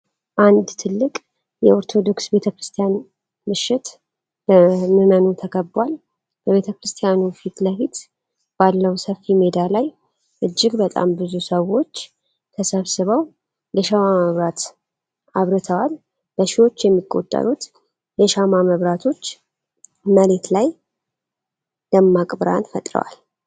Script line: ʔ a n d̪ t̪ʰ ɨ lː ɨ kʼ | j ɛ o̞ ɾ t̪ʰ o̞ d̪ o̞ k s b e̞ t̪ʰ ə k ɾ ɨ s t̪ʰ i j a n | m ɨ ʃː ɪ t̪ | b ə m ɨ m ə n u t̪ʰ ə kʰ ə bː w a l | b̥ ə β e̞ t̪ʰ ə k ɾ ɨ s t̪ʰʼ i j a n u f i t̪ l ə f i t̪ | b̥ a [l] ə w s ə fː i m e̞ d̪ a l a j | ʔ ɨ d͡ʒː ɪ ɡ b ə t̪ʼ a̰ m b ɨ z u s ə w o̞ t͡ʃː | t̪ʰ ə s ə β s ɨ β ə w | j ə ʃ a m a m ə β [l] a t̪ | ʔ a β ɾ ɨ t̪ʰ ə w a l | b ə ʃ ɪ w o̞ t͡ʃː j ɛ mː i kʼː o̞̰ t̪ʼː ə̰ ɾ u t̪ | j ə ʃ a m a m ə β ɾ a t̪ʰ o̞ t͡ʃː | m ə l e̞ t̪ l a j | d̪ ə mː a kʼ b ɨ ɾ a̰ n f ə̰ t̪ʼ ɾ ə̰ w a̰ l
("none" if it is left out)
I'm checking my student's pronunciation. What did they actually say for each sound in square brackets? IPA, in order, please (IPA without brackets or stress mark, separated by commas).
lː, ɾ